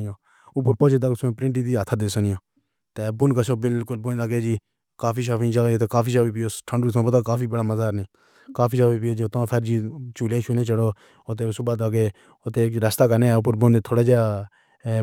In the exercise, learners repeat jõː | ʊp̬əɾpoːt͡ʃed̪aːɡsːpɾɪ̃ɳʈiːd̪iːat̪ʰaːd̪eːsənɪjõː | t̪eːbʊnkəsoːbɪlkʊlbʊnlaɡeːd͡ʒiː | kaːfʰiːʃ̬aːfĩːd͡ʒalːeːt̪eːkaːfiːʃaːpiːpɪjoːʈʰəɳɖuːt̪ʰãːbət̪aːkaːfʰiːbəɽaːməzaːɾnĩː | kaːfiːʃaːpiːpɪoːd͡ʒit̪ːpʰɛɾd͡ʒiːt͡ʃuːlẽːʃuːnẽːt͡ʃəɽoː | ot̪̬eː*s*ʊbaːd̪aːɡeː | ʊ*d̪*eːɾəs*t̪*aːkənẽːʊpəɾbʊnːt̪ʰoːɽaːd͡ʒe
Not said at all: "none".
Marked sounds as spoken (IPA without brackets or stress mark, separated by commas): s, t̪, t̪